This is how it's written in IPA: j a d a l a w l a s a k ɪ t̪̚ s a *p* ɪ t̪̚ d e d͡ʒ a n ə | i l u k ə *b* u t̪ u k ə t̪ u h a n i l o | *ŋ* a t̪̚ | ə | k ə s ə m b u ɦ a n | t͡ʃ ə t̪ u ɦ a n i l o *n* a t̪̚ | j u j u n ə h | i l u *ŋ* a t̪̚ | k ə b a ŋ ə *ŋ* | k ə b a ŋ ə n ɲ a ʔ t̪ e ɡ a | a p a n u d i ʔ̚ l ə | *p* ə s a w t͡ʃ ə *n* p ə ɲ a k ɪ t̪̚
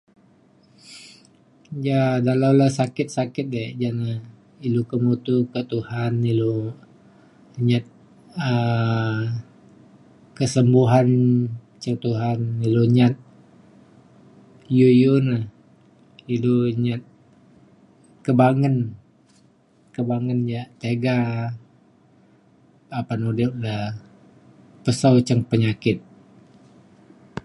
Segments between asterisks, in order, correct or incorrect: incorrect: k, incorrect: m, incorrect: ɲ, incorrect: ɲ, incorrect: ɲ, incorrect: n, correct, incorrect: ŋ

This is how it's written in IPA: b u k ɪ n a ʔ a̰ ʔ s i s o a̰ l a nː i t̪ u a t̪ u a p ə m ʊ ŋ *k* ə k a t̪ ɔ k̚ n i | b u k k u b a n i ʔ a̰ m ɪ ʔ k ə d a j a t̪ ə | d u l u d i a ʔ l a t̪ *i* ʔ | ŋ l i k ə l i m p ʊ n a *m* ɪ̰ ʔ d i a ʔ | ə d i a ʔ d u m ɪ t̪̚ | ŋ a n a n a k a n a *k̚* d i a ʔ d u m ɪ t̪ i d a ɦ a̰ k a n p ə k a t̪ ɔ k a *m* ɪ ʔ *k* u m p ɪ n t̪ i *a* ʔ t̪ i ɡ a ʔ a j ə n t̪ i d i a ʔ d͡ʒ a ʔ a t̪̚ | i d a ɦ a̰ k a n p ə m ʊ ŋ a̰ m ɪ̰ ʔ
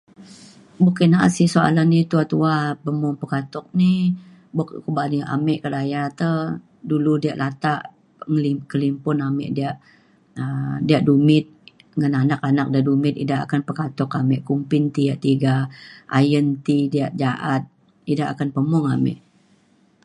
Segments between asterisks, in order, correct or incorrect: incorrect: p, incorrect: a, correct, correct, correct, correct, correct

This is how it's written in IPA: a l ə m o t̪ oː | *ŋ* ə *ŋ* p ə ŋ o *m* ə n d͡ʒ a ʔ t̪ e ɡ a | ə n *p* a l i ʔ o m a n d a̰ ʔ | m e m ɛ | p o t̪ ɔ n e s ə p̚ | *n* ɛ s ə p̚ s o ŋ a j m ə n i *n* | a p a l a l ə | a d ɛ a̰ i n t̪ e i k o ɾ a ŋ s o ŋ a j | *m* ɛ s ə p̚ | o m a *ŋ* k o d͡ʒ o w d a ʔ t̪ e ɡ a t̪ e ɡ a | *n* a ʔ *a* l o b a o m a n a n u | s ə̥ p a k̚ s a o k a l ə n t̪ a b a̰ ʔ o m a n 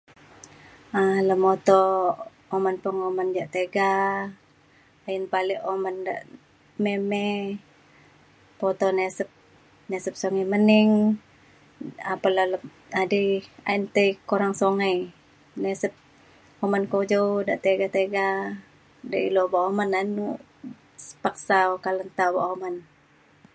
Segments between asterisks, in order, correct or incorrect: incorrect: m, incorrect: n, correct, correct, correct, incorrect: ŋ, incorrect: n, incorrect: n, incorrect: d, incorrect: i

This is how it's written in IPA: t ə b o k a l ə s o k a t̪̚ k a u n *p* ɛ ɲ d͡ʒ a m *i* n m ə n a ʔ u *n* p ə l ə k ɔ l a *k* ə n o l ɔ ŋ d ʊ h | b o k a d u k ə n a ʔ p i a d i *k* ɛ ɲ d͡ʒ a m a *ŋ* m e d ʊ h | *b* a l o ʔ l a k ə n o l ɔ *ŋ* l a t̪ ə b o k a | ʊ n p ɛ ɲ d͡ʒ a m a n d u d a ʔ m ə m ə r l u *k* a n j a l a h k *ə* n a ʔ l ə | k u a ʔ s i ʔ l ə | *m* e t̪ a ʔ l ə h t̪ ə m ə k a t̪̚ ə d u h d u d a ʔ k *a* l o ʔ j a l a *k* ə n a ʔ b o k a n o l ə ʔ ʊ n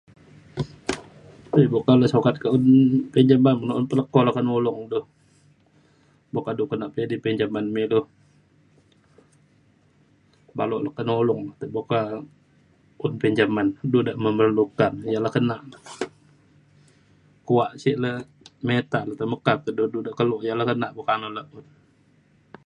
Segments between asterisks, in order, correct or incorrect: correct, incorrect: a, correct, correct, incorrect: p, incorrect: n, correct, correct, correct, correct, correct, incorrect: ə, correct

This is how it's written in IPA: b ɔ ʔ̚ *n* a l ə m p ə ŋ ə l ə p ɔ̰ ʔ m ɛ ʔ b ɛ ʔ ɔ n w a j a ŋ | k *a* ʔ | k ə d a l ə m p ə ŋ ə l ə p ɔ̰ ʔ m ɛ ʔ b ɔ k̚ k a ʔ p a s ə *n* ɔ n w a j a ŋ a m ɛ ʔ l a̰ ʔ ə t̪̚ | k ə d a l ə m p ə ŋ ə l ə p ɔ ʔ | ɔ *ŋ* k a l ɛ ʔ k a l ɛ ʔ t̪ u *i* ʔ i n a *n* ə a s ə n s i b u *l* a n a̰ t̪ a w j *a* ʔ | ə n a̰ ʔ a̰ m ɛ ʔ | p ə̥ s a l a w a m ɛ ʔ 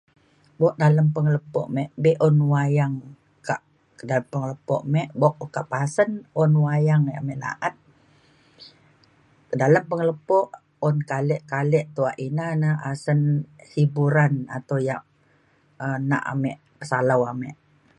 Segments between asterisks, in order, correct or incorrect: incorrect: d, correct, correct, incorrect: n, incorrect: a, correct, incorrect: ɾ, correct

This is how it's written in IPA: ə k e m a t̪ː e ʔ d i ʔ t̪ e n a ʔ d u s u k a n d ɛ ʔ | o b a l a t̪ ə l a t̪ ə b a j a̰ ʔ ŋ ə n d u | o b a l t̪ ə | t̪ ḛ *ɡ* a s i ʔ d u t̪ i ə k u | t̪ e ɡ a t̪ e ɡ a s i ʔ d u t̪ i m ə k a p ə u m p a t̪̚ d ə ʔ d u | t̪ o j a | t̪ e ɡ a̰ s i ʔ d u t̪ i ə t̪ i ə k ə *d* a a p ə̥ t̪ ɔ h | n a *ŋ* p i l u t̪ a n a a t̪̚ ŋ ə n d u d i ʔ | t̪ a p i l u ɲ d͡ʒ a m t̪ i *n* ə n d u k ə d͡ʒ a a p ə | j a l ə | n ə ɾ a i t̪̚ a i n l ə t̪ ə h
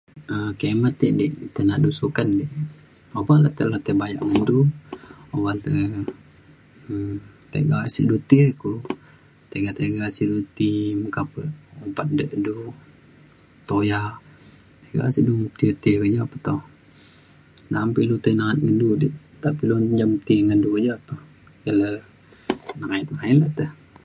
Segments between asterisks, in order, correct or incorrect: correct, incorrect: d͡ʒ, incorrect: m, incorrect: ŋ

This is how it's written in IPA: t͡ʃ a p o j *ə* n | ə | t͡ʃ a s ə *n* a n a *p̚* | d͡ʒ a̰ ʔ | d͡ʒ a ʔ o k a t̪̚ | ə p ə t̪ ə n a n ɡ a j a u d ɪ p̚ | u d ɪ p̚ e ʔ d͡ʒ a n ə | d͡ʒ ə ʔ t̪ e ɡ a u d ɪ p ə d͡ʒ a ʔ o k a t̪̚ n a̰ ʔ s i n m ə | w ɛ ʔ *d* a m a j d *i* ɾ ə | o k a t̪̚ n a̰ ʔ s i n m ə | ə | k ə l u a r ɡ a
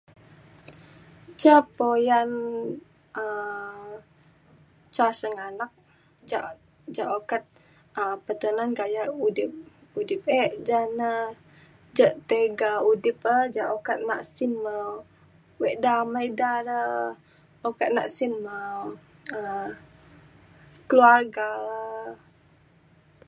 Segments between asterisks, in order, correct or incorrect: incorrect: a, incorrect: ŋ, incorrect: k̚, correct, incorrect: a

